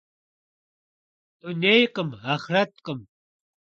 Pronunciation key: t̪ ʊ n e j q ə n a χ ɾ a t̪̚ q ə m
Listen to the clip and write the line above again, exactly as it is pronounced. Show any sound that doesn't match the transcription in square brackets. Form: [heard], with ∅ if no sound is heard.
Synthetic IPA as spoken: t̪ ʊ n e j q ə [m] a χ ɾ a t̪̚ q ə m